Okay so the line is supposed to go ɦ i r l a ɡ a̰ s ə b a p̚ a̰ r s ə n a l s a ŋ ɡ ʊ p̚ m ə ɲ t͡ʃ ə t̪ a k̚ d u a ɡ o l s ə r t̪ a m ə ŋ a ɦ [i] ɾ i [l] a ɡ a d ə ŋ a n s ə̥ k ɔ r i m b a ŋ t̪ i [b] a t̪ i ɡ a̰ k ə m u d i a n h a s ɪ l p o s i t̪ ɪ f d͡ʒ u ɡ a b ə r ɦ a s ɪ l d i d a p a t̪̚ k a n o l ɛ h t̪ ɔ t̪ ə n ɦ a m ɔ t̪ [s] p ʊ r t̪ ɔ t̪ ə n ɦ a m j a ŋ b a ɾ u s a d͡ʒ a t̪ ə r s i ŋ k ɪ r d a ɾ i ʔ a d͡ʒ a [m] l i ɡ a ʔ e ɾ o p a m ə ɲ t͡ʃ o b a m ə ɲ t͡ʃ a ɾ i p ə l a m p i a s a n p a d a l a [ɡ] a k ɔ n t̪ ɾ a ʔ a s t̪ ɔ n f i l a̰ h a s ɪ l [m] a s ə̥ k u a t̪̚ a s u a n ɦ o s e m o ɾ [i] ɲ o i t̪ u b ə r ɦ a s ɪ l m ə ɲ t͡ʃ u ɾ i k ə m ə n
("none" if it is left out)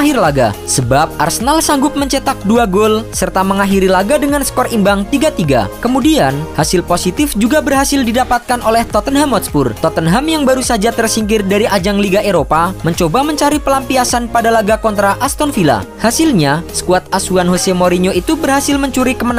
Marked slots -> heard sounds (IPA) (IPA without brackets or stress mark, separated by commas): i, l, ɡ, s, ŋ, ɡ, ɲ, i